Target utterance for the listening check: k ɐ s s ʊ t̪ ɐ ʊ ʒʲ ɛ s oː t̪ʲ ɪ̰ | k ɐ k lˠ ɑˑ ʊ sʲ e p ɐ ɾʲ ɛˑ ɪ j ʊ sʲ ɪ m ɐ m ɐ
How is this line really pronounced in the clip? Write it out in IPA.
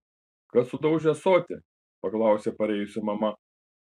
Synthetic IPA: k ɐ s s ʊ d̪ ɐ ʊ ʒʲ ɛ s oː t̪ʲ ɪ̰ | p ɐ k lˠ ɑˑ ʊ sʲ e p ɐ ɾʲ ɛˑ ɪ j ʊ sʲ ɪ m ɐ m ɐ